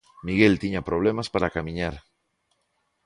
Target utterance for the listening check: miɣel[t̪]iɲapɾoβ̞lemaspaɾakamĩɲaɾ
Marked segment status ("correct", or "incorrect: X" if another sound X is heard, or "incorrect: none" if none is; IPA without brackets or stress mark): correct